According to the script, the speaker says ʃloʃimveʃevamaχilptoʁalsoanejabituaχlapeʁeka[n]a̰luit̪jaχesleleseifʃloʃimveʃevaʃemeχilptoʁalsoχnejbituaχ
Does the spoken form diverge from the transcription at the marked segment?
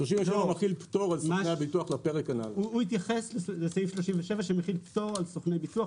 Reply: no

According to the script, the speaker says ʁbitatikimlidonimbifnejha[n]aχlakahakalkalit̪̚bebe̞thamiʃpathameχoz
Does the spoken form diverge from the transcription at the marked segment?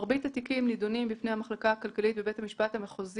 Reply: yes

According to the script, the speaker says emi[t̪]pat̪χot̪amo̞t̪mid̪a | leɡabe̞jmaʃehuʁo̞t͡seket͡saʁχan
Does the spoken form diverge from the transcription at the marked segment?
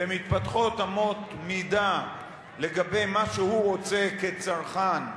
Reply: no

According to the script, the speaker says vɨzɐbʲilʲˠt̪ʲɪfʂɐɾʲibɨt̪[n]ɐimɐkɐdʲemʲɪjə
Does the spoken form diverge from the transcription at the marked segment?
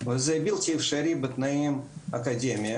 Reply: no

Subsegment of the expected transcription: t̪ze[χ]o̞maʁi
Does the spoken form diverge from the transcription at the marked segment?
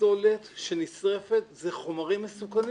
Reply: no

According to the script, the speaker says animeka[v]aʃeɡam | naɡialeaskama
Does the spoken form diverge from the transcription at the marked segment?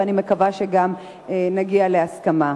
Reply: no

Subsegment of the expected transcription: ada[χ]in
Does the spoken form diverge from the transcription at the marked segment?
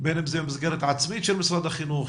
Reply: no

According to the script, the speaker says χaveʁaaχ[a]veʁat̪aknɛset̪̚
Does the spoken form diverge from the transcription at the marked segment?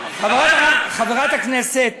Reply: no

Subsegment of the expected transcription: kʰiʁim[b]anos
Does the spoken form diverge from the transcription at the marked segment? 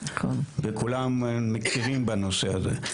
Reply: no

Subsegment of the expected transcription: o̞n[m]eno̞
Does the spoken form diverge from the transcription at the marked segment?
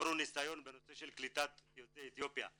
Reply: yes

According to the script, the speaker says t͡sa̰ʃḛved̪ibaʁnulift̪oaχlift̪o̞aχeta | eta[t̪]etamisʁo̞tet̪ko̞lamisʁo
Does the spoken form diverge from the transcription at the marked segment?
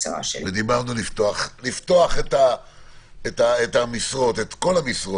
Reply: yes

